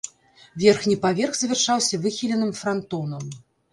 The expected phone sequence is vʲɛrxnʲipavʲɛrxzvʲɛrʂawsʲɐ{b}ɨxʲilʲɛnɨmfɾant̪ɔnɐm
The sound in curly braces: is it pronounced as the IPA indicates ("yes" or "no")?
no